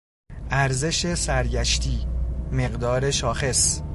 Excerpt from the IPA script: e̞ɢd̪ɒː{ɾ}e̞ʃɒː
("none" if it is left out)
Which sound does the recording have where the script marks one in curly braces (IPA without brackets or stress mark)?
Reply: ɾ